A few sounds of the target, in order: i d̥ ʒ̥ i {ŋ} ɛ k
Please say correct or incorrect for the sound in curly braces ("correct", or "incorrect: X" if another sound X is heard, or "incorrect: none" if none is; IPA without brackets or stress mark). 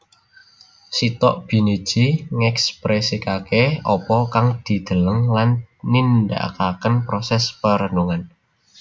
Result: correct